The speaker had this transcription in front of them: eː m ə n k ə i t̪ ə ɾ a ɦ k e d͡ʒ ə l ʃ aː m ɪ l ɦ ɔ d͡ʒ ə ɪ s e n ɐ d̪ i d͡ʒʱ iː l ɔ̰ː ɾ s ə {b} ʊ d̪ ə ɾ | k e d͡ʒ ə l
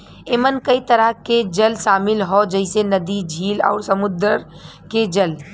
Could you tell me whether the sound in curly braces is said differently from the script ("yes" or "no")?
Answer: yes